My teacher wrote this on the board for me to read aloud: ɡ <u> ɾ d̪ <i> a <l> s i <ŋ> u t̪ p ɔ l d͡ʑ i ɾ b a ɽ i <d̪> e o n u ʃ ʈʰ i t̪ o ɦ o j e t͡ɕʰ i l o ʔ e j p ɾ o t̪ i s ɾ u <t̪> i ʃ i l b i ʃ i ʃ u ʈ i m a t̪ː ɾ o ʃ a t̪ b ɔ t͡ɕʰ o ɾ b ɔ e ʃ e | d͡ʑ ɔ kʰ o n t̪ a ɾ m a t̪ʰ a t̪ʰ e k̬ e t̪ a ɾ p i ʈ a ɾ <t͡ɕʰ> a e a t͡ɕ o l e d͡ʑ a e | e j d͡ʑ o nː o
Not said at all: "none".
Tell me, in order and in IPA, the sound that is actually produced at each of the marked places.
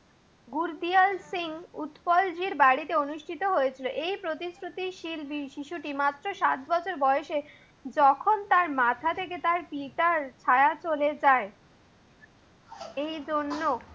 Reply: u, i, l, ŋ, t̪, t̪, t͡ɕʰ

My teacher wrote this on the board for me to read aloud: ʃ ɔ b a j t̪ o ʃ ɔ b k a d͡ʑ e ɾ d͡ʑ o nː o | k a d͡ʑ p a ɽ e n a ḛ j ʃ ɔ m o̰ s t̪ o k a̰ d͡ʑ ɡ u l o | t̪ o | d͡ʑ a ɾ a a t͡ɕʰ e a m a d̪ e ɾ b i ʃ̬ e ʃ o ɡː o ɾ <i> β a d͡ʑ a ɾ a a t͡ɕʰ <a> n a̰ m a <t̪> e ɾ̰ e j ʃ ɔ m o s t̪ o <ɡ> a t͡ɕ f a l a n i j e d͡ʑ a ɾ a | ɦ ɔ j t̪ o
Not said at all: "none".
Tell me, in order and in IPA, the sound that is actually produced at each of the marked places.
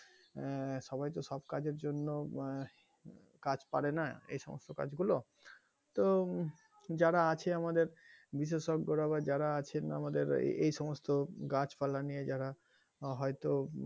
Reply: a, e, d̪, ɡ

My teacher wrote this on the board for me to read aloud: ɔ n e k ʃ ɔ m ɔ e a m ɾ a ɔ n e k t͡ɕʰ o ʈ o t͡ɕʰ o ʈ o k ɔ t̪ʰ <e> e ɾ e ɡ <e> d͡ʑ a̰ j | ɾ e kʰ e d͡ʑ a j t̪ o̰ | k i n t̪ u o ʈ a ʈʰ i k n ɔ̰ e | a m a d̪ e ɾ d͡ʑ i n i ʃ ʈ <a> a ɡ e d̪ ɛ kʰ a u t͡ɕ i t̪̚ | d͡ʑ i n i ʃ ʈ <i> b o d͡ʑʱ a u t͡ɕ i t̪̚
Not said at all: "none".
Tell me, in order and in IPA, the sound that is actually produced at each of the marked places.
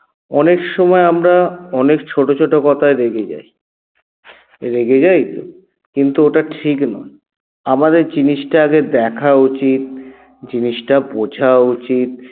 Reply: a, e, a, a

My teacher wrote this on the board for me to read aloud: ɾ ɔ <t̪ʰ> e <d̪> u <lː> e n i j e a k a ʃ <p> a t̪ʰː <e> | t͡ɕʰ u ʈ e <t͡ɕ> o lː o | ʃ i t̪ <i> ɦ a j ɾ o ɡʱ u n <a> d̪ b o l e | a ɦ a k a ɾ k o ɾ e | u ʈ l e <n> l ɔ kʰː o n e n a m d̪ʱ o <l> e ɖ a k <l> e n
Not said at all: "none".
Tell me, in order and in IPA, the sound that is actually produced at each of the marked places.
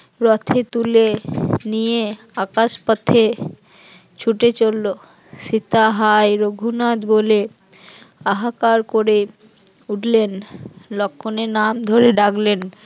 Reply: t̪ʰ, t̪, l, p, e, t͡ɕ, a, a, n, ɾ, l

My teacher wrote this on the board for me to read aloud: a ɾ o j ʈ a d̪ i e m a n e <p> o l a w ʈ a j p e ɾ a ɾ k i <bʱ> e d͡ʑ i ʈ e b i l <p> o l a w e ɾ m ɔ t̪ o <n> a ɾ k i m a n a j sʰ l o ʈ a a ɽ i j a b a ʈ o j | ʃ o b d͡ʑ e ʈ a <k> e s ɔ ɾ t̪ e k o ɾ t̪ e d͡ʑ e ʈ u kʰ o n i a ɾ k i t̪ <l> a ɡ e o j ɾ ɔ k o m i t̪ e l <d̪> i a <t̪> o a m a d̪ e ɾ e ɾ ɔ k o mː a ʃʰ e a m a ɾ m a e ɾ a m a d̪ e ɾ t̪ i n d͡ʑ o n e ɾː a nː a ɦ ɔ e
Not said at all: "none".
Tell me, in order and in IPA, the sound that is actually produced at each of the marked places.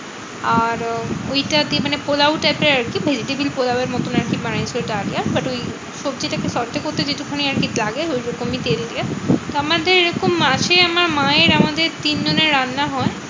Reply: p, bʱ, p, n, k, l, d̪, t̪

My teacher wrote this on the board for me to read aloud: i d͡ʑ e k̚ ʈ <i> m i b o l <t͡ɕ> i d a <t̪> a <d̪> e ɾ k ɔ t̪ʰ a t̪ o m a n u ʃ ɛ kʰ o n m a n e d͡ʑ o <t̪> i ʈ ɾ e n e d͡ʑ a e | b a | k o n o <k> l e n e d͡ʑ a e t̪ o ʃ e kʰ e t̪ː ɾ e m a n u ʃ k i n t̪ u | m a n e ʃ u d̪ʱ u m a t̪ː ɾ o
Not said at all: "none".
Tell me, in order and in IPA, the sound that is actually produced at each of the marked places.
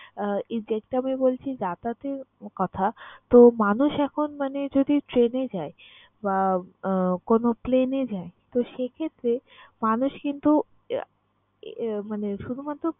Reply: a, t͡ɕʰ, t̪, t̪, d̪, p

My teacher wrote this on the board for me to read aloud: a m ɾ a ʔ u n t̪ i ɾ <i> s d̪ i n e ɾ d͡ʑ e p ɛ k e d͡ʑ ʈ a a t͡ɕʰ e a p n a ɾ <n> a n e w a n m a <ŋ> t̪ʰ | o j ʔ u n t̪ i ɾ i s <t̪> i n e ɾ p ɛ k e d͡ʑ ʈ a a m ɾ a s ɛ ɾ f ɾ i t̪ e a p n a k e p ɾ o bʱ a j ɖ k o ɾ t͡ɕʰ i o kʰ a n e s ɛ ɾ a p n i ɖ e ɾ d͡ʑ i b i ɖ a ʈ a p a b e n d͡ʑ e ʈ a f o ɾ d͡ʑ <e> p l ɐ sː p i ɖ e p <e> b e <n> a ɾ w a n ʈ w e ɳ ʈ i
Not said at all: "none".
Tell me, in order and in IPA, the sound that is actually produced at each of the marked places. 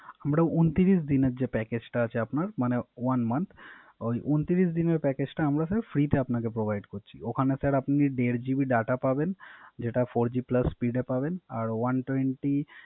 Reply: i, m, n, d̪, i, a, n

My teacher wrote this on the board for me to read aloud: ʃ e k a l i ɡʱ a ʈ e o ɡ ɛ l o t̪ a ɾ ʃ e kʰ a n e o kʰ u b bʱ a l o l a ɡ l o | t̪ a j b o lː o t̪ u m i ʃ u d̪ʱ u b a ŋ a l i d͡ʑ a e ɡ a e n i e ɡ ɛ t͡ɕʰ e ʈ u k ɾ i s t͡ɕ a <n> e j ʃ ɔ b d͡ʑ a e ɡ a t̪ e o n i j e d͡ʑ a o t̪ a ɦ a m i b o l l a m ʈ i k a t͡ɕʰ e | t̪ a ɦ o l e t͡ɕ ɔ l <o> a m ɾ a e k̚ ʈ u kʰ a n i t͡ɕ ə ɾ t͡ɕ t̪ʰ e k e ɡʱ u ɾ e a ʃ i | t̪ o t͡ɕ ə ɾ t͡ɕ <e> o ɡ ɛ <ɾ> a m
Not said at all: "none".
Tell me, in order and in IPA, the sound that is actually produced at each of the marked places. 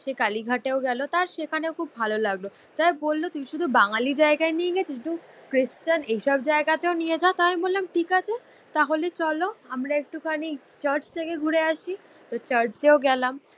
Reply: n, o, e, l

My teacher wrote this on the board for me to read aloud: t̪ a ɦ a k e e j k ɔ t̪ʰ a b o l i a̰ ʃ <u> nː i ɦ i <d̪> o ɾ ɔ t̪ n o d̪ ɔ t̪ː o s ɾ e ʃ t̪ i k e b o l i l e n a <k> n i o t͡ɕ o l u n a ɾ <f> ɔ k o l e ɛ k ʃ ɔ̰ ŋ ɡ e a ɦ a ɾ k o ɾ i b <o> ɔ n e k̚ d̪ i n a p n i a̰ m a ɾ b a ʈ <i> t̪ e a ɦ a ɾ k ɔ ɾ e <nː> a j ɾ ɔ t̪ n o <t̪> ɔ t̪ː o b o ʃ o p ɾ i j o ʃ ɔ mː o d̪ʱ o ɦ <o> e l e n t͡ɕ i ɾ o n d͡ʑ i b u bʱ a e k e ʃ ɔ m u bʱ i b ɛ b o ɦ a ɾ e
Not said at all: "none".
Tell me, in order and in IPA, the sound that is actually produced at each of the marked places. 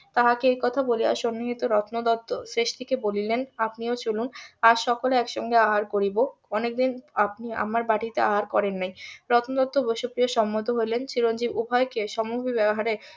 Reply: o, t̪, p, ʃ, o, i, nː, d̪, o

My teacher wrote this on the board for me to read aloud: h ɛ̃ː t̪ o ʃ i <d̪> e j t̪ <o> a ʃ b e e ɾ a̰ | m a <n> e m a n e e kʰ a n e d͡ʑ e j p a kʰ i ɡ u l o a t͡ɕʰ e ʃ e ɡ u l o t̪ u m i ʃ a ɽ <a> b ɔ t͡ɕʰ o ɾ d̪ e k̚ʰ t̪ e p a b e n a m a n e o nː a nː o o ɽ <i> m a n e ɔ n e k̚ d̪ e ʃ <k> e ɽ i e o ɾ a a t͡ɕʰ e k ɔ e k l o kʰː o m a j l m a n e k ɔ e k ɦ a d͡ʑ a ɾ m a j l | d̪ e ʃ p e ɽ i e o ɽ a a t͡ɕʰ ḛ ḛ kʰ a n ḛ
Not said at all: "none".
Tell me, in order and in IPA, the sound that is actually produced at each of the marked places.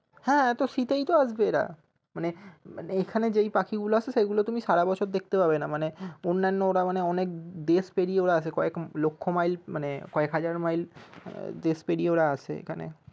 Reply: t̪, o, n, a, a, p

